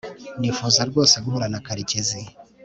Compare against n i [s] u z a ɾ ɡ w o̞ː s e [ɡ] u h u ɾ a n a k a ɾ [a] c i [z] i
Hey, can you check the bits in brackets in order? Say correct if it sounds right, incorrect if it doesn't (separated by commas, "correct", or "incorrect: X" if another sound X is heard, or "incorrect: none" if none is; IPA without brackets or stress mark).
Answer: incorrect: f, correct, incorrect: i, correct